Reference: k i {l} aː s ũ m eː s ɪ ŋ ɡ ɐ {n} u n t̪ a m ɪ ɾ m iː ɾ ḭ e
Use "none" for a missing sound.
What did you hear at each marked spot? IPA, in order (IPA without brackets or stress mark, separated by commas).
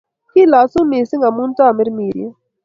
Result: l, m